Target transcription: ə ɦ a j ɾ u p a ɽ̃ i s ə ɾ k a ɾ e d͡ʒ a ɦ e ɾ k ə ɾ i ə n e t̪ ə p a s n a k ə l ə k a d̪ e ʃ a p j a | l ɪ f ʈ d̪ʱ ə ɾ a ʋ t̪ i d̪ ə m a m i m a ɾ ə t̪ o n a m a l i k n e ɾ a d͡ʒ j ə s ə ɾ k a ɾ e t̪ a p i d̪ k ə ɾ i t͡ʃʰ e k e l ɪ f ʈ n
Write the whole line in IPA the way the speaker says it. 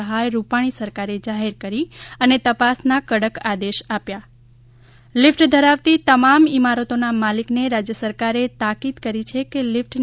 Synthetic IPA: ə ɦ a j ɾ u p a ɽ̃ i s ə ɾ k a ɾ e d͡ʒ a ɦ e ɾ k ə ɾ i ə n e t̪ ə p a s n a k ə ɽ ə k a d̪ e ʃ a p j a | l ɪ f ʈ d̪ʱ ə ɾ a ʋ t̪ i t̪ ə m a m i m a ɾ ə t̪ o n a m a l i k n e ɾ a d͡ʒ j ə s ə ɾ k a ɾ e t̪ a k i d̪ k ə ɾ i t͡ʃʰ e k e l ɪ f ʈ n